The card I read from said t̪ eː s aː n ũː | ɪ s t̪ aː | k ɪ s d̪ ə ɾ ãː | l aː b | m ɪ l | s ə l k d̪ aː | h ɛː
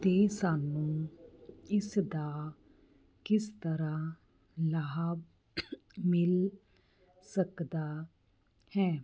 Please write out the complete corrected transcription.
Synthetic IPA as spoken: t̪ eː s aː n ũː | ɪ s d̪ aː | k ɪ s t̪ ə ɾ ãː | l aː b | m ɪ l | s ə k d̪ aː | h ɛː